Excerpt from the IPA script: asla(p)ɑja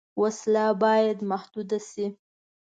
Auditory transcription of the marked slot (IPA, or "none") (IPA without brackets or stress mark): b